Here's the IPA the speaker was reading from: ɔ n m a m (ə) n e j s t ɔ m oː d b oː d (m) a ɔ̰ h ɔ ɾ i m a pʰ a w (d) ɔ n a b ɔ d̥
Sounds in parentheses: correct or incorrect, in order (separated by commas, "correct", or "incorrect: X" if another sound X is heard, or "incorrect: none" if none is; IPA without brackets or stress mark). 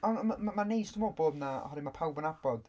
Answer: incorrect: a, incorrect: n, incorrect: b